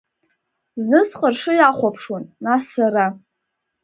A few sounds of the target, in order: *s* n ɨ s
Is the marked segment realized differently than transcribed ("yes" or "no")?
yes